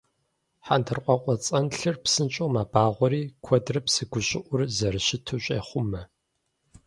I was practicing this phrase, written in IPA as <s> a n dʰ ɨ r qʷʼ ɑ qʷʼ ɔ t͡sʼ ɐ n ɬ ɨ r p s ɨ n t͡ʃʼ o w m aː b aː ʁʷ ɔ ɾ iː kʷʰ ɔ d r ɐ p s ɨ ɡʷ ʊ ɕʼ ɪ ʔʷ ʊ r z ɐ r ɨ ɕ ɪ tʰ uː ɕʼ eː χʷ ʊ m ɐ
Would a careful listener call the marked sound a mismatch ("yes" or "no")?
yes